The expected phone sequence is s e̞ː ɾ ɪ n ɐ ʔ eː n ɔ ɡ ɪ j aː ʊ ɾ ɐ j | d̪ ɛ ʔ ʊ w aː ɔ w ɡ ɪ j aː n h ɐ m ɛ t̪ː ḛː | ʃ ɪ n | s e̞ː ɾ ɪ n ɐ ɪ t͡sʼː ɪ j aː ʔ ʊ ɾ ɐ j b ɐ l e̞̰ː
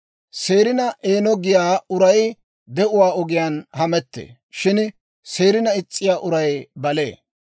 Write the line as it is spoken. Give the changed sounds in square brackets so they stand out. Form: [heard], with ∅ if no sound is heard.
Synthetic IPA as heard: s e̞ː ɾ ɪ n ɐ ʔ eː n ɔ ɡ ɪ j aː ʊ ɾ ɐ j | d̪ ɛ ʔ ʊ w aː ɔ [∅] ɡ ɪ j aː n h ɐ m ɛ t̪ː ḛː | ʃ ɪ n | s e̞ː ɾ ɪ n ɐ ɪ t͡sʼː ɪ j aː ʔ ʊ ɾ ɐ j b ɐ l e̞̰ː